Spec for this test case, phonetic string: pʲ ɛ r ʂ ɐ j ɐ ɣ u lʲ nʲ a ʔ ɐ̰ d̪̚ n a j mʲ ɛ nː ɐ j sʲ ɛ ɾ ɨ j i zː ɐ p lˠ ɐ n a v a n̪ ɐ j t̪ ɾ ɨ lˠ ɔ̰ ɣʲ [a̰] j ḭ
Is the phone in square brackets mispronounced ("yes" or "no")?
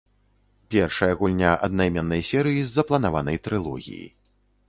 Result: yes